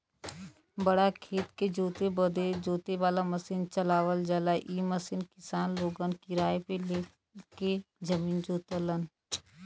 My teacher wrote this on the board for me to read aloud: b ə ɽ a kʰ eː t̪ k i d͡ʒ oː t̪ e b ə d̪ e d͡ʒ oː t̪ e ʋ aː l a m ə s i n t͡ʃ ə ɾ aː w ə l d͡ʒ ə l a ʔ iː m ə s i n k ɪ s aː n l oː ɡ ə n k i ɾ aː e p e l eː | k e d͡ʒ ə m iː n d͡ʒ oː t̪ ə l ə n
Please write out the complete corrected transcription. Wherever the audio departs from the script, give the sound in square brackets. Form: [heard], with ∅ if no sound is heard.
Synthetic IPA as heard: b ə ɽ a kʰ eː t̪ k [e] d͡ʒ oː t̪ e b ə d̪ e d͡ʒ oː t̪ e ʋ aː l a m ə s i n t͡ʃ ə [l] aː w ə l d͡ʒ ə l a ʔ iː m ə s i n k ɪ s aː n l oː ɡ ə n k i ɾ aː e p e l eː | k e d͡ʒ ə m iː n d͡ʒ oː t̪ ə l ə n